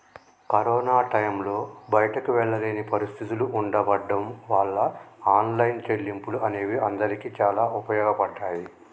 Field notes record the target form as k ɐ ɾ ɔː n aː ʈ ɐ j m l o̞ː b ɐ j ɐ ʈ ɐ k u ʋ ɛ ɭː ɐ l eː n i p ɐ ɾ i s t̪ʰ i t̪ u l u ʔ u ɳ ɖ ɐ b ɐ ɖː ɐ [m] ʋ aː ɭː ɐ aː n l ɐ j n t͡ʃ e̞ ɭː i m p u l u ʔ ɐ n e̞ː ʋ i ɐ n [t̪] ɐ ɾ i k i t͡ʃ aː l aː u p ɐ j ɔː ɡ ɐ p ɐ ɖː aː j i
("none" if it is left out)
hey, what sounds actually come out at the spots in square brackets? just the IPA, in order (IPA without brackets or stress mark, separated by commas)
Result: m, d̪